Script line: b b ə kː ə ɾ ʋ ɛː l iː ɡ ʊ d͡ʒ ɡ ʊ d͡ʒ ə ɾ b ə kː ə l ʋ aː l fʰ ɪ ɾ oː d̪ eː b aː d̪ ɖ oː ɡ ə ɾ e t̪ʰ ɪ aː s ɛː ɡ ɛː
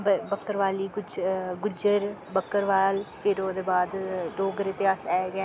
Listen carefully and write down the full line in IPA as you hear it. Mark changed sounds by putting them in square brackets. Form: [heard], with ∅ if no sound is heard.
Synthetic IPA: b b ə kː ə ɾ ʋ [aː] l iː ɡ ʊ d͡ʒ ɡ ʊ d͡ʒ ə ɾ b ə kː ə [ɾ] ʋ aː l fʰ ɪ ɾ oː d̪ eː b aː d̪ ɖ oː ɡ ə ɾ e [t̪] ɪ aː s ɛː ɡ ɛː